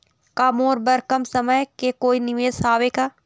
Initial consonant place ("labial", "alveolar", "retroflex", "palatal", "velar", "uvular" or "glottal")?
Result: velar